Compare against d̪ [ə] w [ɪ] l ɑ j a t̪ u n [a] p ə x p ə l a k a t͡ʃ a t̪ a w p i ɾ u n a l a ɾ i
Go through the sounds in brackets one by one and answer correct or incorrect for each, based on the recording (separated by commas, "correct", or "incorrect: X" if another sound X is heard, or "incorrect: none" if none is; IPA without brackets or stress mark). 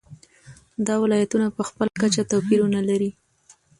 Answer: incorrect: ɑ, correct, correct